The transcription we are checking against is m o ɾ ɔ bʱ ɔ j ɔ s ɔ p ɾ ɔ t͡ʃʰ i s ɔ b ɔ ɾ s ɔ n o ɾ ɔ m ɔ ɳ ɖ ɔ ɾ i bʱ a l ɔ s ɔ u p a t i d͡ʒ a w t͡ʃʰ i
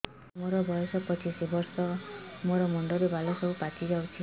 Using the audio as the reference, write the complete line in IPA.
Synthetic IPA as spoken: m o ɾ ɔ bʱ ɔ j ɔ s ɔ p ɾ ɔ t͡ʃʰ i s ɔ b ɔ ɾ s ɔ m o ɾ ɔ m ɔ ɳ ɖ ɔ ɾ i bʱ a l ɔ s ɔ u p a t i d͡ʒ a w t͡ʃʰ i